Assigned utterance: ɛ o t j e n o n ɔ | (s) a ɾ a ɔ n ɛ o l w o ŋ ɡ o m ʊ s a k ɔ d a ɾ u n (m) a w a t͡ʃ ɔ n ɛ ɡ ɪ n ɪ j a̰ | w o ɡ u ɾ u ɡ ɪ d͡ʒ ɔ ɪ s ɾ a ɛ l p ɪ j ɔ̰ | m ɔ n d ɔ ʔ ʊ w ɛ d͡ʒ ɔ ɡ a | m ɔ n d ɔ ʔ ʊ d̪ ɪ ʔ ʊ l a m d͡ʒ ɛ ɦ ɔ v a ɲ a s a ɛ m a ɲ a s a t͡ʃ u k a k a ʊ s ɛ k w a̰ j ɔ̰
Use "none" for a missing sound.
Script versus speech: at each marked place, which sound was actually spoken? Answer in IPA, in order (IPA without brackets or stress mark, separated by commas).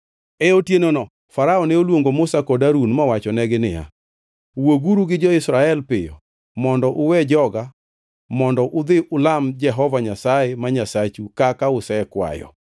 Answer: f, m